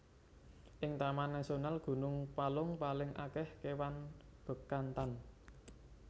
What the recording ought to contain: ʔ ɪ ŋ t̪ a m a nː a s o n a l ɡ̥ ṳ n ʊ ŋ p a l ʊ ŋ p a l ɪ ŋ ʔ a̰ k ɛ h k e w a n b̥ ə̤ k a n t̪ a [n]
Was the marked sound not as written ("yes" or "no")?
no